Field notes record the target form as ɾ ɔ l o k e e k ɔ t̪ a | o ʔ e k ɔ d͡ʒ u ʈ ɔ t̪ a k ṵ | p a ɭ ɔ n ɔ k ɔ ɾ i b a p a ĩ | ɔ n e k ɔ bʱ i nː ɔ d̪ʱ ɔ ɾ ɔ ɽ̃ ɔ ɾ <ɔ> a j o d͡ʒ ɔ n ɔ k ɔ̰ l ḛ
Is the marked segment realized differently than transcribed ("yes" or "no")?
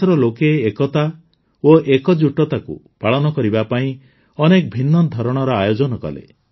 no